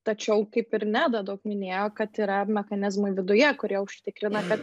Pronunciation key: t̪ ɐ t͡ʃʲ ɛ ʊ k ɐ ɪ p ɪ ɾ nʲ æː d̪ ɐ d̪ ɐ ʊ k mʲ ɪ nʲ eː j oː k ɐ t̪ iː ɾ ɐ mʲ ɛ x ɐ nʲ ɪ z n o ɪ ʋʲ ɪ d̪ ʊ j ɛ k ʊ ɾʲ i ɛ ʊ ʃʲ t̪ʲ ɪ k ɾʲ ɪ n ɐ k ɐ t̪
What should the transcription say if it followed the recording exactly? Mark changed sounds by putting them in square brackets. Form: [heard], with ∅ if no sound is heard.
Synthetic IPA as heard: t̪ ɐ t͡ʃʲ ɛ ʊ k ɐ ɪ p ɪ ɾ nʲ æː d̪ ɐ d̪ ɐ ʊ k mʲ ɪ nʲ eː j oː k ɐ t̪ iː ɾ ɐ mʲ ɛ x ɐ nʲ ɪ z [m] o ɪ ʋʲ ɪ d̪ ʊ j ɛ k ʊ ɾʲ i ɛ ʊ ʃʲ t̪ʲ ɪ k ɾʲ ɪ n ɐ k ɐ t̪